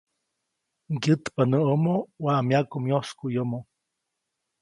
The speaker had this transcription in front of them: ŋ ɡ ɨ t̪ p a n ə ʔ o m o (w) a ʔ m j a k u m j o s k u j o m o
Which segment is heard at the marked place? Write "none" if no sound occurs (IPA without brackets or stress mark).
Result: w